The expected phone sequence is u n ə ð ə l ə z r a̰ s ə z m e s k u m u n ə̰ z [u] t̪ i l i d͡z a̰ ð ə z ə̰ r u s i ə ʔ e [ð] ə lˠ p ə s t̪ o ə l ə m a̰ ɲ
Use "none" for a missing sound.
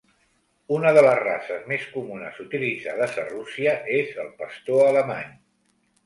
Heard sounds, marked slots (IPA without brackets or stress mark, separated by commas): u, z